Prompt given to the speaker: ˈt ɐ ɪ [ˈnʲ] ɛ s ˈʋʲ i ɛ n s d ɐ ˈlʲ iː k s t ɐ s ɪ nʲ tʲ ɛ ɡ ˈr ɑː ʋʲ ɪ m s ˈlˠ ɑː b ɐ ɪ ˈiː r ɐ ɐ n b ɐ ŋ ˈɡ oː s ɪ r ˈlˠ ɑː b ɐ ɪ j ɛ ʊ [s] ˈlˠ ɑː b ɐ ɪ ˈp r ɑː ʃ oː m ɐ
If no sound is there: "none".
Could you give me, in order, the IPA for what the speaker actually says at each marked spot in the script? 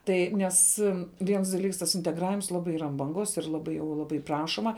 nʲ, none

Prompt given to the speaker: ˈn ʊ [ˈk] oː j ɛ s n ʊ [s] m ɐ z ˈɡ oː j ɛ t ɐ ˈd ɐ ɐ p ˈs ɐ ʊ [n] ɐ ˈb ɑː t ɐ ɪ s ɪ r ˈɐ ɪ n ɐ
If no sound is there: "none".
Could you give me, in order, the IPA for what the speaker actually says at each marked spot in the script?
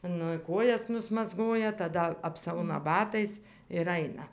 k, s, n

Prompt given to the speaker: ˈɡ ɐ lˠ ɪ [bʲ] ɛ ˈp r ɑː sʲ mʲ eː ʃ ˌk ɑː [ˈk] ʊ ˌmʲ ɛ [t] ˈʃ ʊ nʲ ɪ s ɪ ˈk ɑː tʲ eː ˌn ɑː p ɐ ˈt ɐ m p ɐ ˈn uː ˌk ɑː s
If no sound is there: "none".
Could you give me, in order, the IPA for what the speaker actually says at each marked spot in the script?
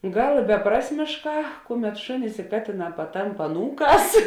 bʲ, k, t

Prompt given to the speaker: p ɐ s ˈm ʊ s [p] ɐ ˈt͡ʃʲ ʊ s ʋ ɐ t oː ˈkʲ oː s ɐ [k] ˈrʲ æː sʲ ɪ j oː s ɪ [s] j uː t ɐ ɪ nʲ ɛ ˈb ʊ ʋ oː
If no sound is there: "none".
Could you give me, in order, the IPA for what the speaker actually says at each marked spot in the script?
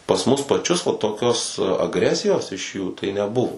p, ɡ, ʃ

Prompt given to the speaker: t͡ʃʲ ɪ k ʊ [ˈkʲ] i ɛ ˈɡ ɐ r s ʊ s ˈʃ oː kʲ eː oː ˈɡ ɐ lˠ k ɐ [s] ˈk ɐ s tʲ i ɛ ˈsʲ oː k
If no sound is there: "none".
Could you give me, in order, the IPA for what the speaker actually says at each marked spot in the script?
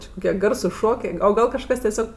kʲ, ʃ

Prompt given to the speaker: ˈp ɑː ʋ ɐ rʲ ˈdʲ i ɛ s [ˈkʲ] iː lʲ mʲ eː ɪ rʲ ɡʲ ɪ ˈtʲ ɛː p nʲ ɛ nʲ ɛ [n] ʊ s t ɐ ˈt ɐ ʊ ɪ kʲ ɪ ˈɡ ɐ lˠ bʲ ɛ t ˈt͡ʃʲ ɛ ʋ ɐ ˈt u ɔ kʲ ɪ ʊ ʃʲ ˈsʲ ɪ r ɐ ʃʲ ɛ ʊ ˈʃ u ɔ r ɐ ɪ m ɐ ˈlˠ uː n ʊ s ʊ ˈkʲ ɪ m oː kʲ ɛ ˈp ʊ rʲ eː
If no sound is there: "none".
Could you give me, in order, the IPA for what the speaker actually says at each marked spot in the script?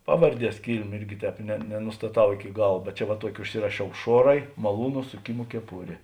kʲ, n

